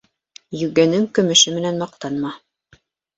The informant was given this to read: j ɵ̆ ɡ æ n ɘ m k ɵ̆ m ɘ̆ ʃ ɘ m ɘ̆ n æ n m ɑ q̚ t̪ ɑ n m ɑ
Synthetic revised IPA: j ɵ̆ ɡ æ n ɘ ŋ k ɵ̆ m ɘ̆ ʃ ɘ m ɘ̆ n æ n m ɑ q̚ t̪ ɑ n m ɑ